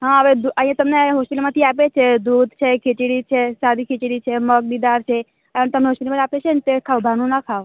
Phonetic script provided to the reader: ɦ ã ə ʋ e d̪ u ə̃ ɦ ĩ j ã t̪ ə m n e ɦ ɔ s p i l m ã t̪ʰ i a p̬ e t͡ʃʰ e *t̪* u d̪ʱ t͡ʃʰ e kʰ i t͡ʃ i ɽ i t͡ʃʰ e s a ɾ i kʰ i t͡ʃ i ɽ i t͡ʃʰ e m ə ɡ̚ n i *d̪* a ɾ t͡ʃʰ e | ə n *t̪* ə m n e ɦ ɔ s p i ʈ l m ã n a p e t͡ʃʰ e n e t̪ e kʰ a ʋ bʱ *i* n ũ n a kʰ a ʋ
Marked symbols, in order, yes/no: no, yes, yes, no

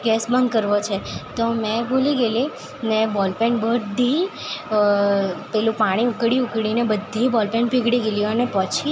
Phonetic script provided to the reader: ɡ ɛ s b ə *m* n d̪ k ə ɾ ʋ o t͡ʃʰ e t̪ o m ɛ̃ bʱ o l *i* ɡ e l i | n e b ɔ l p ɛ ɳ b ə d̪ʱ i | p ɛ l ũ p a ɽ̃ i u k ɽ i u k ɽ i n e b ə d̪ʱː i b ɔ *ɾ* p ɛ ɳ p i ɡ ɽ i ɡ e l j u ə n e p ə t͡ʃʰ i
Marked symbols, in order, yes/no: no, yes, no

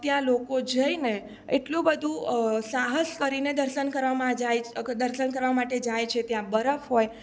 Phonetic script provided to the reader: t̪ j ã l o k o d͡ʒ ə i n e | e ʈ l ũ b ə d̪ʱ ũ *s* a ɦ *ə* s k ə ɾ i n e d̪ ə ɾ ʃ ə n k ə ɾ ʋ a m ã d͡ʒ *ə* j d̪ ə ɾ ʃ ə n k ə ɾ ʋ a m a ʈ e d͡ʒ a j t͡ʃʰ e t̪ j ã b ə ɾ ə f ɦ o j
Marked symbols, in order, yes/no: yes, yes, no

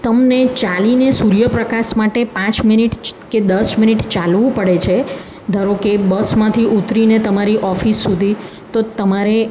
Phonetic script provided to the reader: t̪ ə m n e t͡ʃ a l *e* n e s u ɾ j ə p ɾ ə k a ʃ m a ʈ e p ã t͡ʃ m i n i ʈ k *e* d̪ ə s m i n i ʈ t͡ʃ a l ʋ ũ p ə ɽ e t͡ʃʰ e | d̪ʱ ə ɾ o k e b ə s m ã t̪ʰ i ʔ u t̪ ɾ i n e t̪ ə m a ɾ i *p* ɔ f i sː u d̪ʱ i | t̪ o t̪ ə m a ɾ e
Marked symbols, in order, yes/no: no, yes, no

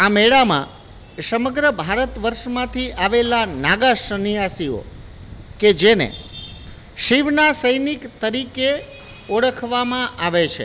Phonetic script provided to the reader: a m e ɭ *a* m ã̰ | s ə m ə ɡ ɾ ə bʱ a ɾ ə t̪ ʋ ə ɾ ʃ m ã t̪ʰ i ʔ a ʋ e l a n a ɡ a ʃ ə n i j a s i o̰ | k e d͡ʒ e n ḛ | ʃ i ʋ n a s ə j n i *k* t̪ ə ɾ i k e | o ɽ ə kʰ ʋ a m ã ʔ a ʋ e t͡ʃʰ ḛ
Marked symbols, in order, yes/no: yes, yes

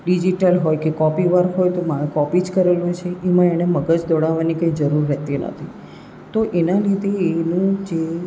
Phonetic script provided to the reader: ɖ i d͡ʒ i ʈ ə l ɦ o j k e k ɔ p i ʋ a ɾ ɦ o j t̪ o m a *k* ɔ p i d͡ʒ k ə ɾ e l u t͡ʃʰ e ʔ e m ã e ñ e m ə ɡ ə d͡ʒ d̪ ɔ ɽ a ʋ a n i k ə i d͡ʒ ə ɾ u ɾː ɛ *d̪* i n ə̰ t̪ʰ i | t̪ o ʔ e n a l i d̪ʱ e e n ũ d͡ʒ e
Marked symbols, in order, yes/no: yes, no

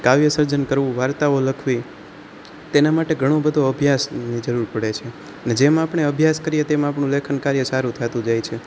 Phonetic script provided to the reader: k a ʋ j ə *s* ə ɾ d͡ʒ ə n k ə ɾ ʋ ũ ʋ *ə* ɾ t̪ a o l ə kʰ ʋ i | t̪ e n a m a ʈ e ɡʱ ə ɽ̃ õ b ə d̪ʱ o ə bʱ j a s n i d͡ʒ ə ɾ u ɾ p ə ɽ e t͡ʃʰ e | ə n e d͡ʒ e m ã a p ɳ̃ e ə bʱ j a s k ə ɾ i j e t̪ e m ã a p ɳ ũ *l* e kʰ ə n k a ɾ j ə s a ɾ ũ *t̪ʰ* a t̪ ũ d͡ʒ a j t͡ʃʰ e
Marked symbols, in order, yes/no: yes, no, yes, yes

